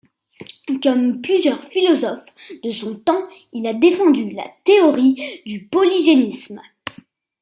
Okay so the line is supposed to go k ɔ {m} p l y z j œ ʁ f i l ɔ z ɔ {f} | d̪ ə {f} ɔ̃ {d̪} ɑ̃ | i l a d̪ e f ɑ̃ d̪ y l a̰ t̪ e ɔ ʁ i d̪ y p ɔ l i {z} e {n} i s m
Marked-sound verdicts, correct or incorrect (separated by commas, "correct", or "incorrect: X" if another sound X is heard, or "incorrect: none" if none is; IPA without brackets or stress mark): correct, correct, incorrect: s, incorrect: t̪, incorrect: ʒ, correct